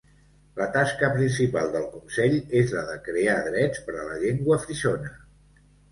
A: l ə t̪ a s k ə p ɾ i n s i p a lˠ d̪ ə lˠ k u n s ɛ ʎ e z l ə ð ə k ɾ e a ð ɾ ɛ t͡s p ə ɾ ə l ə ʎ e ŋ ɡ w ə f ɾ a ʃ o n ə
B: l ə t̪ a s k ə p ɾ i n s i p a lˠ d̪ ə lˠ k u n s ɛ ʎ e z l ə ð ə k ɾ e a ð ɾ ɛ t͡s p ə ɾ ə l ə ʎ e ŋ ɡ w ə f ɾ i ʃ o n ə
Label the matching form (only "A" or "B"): B